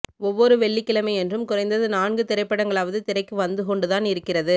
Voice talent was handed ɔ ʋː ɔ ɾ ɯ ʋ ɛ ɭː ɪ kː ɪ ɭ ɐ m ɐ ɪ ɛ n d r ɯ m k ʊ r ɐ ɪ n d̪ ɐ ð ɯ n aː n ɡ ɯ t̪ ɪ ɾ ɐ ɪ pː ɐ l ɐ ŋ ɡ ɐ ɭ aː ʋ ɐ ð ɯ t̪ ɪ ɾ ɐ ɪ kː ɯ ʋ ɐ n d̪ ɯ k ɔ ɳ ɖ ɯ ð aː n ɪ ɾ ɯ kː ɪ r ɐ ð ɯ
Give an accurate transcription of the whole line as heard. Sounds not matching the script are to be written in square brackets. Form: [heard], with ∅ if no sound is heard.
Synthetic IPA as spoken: ɔ ʋː ɔ ɾ ɯ ʋ ɛ ɭː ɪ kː ɪ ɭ ɐ m ɐ ɪ ɛ n d r ɯ m k ʊ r ɐ ɪ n d̪ ɐ ð ɯ n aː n ɡ ɯ t̪ ɪ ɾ ɐ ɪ pː ɐ [ɽ] ɐ ŋ ɡ ɐ ɭ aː ʋ ɐ ð ɯ t̪ ɪ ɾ ɐ ɪ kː ɯ ʋ ɐ n d̪ ɯ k ɔ ɳ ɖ ɯ ð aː n ɪ ɾ ɯ kː ɪ r ɐ ð ɯ